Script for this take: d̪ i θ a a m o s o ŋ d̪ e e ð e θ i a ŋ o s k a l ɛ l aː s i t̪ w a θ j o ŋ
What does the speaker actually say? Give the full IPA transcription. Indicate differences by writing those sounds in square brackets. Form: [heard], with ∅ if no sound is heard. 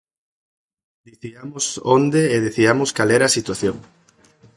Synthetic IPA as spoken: d̪ i θ [i] a m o s o [n] d̪ e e ð e θ i a [m] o s k a l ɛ [ɾ] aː s i t̪ w a θ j o ŋ